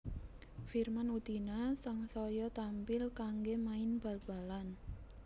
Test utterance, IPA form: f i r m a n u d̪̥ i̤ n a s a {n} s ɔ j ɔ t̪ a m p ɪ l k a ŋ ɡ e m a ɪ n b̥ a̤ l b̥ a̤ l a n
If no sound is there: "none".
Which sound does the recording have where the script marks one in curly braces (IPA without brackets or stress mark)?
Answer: ŋ